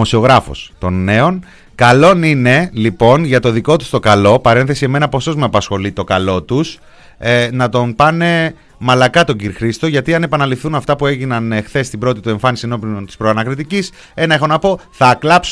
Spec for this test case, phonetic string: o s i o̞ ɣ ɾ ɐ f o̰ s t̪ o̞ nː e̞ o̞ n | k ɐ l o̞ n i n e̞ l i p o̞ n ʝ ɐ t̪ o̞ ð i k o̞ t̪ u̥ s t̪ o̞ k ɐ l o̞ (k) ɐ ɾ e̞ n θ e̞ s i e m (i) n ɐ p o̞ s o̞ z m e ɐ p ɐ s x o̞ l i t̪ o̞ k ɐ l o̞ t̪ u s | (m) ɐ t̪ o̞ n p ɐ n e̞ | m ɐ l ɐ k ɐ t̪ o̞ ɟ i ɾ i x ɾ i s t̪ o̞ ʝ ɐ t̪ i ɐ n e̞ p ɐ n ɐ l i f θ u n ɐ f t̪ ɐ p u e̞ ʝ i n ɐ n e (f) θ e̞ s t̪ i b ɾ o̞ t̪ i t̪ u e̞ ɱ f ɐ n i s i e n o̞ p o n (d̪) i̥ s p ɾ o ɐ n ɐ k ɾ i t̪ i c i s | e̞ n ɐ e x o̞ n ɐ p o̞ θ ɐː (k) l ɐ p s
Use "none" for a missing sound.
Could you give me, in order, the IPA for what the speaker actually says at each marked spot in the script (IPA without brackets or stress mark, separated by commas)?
p, e, n, x, t̪, k